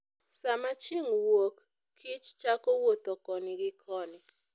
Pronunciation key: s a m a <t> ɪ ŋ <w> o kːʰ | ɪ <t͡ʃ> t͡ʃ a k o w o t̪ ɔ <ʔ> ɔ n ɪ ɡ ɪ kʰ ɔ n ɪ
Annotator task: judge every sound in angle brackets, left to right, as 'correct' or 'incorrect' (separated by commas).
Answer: incorrect, correct, correct, incorrect